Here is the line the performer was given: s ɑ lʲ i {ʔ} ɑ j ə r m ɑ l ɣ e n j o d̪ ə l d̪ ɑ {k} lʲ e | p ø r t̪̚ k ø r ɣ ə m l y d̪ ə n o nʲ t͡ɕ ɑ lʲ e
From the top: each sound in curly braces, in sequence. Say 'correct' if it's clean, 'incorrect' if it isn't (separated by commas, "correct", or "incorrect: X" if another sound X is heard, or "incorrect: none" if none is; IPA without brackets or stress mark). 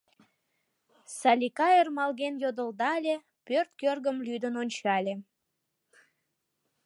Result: incorrect: k, incorrect: none